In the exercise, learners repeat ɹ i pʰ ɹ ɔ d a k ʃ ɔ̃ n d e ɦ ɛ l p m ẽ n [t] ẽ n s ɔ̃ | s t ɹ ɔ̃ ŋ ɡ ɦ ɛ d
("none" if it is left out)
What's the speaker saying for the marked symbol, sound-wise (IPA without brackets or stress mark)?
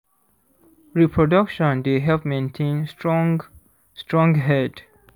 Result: tʰ